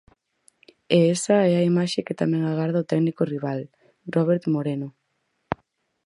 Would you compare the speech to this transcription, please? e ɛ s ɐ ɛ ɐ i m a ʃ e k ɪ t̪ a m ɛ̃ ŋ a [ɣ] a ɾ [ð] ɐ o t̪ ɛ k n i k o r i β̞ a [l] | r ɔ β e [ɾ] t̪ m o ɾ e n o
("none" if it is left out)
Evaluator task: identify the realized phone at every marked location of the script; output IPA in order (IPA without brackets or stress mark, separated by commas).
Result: ɣ, ð, l, ɾ